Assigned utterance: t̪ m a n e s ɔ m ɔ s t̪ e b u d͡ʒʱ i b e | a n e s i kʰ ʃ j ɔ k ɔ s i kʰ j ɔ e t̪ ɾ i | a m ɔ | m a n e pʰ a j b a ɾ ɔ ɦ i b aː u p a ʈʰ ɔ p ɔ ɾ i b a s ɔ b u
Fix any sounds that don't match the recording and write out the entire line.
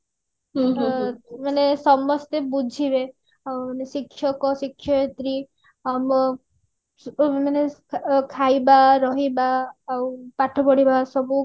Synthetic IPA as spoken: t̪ m a n e s ɔ m ɔ s t̪ e b u d͡ʒʱ i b e | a n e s i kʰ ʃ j ɔ k ɔ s i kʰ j ɔ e t̪ ɾ i | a m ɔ | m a n e kʰ a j b a ɾ ɔ ɦ i b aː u p a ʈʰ ɔ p ɔ ɽ i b a s ɔ b u